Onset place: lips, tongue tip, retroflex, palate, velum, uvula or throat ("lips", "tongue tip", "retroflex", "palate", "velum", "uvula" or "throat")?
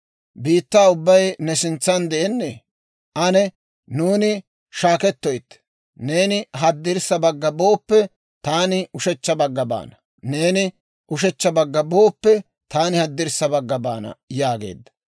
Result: lips